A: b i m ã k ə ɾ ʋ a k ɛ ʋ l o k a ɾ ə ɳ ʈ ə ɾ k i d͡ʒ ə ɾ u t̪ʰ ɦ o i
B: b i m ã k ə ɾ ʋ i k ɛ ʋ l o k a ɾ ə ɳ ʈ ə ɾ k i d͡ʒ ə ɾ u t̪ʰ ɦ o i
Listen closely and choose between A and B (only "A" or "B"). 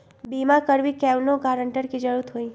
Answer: B